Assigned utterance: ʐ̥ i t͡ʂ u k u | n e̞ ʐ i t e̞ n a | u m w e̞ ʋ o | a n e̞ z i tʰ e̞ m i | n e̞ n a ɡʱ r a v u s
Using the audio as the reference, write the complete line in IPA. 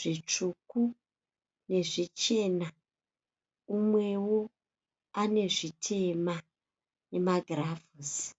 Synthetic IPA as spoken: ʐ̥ i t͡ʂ u k u | n e̞ ʐ i t͡ʃ e̞ n a | u m w e̞ w o | a n e̞ ʐ i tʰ e̞ m a | n e̞ m a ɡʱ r a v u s